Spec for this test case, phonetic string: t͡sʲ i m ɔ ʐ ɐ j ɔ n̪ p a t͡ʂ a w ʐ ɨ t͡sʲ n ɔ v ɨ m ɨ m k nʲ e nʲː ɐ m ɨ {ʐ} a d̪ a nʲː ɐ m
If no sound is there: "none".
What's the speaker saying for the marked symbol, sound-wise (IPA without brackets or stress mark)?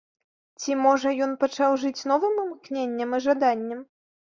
ʐ